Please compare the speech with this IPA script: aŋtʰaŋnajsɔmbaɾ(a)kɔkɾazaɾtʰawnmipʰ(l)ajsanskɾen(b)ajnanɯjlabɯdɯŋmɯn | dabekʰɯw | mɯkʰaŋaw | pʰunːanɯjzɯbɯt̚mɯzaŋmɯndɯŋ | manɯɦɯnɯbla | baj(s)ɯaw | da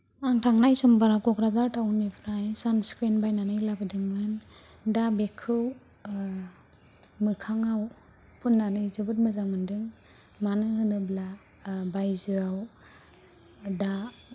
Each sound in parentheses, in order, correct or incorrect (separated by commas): correct, incorrect, correct, incorrect